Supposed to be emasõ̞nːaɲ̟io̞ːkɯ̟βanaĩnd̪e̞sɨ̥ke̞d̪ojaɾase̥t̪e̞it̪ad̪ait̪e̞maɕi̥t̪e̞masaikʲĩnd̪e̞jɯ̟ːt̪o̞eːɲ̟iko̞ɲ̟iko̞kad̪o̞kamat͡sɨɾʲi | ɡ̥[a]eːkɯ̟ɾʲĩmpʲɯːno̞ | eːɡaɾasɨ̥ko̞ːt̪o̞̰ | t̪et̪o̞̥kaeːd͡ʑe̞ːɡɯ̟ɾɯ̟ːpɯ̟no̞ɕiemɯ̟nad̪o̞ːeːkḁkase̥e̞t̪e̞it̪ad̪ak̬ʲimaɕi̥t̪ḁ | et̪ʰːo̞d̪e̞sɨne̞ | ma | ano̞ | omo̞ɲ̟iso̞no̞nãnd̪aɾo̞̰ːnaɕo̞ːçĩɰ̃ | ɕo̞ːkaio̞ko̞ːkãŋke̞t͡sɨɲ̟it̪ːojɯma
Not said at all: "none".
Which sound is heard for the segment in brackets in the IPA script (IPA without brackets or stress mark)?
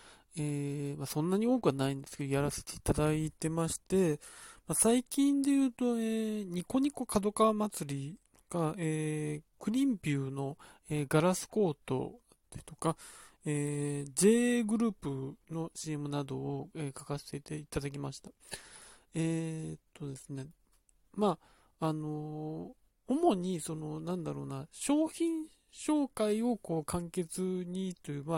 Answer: a